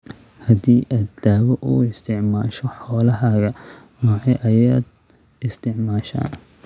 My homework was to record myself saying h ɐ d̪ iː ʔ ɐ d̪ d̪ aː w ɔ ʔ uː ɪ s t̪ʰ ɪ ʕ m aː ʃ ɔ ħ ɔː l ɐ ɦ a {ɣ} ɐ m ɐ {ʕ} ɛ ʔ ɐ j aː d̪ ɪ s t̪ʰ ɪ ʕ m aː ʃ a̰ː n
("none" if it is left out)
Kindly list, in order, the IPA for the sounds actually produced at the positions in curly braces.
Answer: ɣ, ʕ

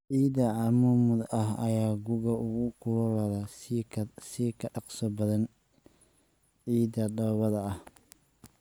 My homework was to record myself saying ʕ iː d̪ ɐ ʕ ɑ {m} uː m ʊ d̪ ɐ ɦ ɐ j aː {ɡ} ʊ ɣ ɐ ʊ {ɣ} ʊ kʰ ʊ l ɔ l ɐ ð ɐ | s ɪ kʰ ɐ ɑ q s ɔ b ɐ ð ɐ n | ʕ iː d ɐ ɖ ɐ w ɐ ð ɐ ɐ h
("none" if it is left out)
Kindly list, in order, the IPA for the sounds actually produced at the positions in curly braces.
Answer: m, ɡ, ɣ

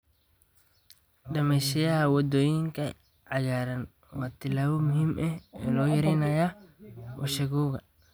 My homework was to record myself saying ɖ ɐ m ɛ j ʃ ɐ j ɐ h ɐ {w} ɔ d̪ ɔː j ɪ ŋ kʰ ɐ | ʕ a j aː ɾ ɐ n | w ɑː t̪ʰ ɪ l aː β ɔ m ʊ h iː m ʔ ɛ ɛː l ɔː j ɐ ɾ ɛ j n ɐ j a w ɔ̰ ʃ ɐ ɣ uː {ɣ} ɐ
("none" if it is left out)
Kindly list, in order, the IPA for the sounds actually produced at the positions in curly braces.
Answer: w, ɣ

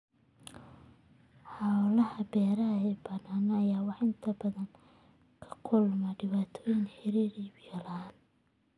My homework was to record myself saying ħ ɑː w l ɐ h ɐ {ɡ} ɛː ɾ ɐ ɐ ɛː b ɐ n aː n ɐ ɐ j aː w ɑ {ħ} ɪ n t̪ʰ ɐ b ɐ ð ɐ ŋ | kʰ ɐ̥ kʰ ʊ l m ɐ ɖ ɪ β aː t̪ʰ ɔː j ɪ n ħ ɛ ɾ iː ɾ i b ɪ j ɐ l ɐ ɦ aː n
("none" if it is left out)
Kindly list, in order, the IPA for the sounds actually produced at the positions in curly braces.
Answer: b, ħ

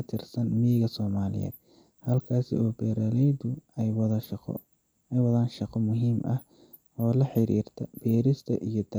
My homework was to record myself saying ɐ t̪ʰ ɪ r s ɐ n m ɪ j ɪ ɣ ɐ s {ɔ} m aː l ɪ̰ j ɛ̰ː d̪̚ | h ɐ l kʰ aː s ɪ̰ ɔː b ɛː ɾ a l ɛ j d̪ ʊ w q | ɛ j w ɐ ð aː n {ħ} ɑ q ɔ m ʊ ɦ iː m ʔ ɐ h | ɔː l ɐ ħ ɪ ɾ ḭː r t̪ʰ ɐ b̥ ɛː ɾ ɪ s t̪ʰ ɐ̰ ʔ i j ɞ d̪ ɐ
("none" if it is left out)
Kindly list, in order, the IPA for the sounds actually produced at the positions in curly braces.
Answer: ɔː, ʃ

